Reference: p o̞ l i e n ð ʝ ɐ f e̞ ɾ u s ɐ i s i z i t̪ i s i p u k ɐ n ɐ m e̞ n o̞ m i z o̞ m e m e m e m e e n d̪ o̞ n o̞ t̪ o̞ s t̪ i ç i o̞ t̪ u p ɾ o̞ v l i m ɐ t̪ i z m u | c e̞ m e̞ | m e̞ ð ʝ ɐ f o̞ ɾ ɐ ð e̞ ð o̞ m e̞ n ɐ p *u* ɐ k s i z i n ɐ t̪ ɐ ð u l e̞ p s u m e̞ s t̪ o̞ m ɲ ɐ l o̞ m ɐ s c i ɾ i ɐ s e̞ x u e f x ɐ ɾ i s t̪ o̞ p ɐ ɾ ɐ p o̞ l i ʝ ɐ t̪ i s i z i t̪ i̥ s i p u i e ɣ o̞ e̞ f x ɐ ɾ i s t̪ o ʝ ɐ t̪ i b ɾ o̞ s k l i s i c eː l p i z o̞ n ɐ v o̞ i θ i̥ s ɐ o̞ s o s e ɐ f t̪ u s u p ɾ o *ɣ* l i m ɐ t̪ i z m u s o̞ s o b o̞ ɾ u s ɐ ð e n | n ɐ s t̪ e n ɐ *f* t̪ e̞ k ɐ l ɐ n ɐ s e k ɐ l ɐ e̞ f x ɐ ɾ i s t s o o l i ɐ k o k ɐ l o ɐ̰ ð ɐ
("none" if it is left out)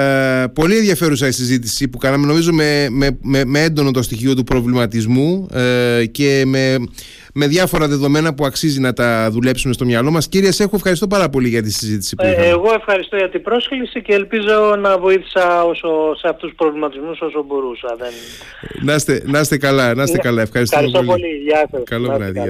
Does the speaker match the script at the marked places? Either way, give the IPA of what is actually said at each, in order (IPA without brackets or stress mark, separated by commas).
u, v, s